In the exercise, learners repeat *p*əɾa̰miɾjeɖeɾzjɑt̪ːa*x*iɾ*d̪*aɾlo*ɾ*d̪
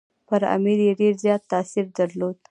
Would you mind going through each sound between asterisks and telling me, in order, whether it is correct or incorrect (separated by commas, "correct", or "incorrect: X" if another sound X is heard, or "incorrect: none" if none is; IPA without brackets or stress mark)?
correct, incorrect: s, correct, incorrect: none